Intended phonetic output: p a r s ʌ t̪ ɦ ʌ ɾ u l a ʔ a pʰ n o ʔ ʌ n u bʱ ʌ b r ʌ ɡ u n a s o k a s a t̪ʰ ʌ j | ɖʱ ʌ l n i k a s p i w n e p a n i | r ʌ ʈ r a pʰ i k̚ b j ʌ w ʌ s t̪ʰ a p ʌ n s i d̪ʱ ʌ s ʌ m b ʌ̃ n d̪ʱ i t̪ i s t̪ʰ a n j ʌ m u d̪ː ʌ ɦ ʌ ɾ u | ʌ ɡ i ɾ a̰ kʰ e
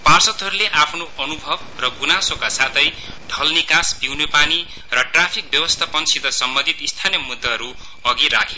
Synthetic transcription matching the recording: p a r s ʌ t̪ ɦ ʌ ɾ u l e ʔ a pʰ n o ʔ ʌ n u bʱ ʌ b r ʌ ɡ u n a s o k a s a t̪ʰ ʌ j | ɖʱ ʌ l n i k a s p i w n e p a n i | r ʌ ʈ r a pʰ i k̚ b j ʌ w ʌ s t̪ʰ a p ʌ n s i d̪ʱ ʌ s ʌ m b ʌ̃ n d̪ʱ i t̪ i s t̪ʰ a n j ʌ m u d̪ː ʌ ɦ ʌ ɾ u | ʌ ɡ i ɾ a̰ kʰ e